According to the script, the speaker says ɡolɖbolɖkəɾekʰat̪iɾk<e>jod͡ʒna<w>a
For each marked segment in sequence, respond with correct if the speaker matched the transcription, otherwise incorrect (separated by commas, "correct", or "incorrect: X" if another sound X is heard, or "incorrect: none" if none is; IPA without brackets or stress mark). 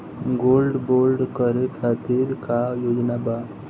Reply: incorrect: a, incorrect: b